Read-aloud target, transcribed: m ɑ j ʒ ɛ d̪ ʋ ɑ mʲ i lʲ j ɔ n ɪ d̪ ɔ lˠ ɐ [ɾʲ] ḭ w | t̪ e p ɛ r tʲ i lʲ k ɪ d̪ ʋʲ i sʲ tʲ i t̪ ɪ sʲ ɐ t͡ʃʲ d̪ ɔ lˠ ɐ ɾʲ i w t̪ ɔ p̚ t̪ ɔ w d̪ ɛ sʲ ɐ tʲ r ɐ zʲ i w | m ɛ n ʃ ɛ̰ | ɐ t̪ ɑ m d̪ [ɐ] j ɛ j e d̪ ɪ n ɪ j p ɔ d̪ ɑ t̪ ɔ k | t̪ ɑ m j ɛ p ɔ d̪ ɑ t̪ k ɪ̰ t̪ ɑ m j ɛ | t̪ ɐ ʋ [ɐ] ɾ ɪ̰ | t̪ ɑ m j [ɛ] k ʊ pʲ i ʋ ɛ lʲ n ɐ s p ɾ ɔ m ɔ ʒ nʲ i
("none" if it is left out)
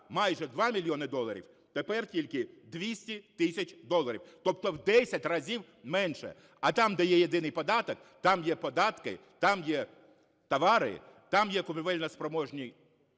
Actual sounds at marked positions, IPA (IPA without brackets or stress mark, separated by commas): ɾʲ, ɐ, ɑ, ɛ